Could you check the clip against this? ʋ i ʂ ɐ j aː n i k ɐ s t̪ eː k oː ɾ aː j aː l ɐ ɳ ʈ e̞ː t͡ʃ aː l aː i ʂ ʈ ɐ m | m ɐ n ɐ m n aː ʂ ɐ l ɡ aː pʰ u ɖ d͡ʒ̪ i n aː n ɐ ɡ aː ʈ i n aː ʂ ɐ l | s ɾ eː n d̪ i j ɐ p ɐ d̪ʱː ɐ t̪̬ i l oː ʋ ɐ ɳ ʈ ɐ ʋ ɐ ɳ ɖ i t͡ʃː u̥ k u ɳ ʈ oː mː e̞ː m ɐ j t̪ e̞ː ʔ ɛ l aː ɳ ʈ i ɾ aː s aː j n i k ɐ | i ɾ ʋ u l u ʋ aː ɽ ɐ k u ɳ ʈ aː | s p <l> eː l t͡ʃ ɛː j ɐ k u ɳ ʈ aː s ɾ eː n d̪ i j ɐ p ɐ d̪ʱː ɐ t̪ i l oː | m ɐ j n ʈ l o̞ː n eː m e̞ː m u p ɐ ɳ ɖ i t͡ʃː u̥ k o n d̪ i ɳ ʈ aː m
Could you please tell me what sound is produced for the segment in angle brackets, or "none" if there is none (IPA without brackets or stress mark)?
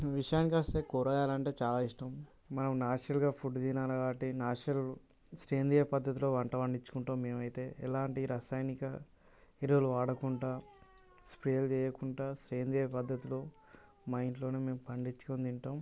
ɾ